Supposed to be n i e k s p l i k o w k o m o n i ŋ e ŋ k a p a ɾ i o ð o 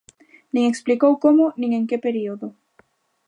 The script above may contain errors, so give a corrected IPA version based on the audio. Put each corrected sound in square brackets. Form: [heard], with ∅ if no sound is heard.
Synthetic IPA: n i e k s p l i k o w k o m o n i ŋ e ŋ k [e] p [e] ɾ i o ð o